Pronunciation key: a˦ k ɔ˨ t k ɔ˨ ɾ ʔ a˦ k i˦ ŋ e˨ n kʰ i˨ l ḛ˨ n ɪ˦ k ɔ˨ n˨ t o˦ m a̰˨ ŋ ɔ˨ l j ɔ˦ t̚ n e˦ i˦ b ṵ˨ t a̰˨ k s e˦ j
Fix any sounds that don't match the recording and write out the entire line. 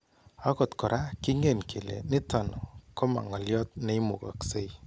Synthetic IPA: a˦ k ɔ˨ t k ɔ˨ ɾ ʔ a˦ k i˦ ŋ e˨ n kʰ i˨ l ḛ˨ n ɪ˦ t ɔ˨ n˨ k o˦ m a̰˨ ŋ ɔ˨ l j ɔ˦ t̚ n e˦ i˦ m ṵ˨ k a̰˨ k s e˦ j